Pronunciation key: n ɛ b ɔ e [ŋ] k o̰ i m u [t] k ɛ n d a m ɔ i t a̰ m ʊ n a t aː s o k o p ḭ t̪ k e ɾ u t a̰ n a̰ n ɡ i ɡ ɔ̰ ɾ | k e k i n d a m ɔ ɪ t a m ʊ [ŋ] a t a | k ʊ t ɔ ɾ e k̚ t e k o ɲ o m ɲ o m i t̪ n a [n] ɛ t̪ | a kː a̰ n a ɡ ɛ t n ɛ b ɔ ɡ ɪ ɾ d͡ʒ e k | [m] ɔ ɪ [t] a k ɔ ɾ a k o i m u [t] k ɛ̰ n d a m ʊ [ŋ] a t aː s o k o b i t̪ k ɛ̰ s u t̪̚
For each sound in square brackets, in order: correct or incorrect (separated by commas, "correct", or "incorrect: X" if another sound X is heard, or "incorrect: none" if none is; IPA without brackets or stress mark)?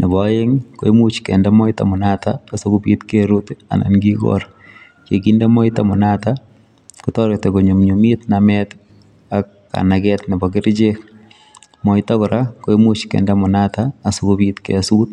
correct, incorrect: t͡ʃ, incorrect: n, incorrect: m, correct, correct, incorrect: t͡ʃ, incorrect: n